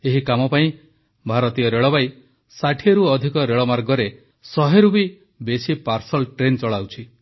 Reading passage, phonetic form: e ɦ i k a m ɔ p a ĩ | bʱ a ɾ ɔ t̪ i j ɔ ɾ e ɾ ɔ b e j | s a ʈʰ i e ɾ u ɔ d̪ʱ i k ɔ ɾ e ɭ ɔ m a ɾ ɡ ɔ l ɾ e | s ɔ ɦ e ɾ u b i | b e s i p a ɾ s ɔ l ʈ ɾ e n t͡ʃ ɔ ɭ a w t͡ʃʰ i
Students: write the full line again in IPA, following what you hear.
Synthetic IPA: e ɦ i k a m ɔ p a ĩ | bʱ a ɾ ɔ t̪ i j ɔ ɾ e ɭ ɔ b a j | s a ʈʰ i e ɾ u ɔ d̪ʱ i k ɔ ɾ e ɭ ɔ m a ɾ ɡ ɔ ɾ e | s ɔ ɦ e ɾ u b i | b e s i p a ɾ s ɔ l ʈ ɾ e n t͡ʃ ɔ ɭ a w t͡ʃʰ i

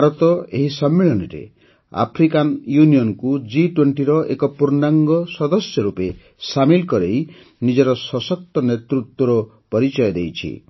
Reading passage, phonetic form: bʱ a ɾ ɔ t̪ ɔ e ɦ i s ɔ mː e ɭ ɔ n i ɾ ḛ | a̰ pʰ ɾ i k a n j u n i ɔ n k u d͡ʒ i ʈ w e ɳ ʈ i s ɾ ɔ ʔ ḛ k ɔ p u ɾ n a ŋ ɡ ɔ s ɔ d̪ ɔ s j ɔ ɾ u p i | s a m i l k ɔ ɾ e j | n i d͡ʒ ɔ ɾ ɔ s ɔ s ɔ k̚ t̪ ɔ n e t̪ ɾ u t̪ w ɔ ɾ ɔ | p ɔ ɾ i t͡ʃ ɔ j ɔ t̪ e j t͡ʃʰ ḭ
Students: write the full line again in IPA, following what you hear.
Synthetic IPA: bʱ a ɾ ɔ t̪ ɔ e ɦ i s ɔ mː e ɭ ɔ n i ɾ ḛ | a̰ pʰ ɾ i k a n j u n i ɔ n k u d͡ʒ i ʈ w e ɳ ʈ i ɾ ɔ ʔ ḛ k ɔ p u ɾ n a ŋ ɡ ɔ s ɔ d̪ ɔ s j ɔ ɾ u p e | s a m i l k ɔ ɾ e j | n i d͡ʒ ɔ ɾ ɔ s ɔ s ɔ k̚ t̪ ɔ n e t̪ ɾ u t̪ w ɔ ɾ ɔ | p ɔ ɾ i t͡ʃ ɔ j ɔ d̪ e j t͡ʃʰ ḭ

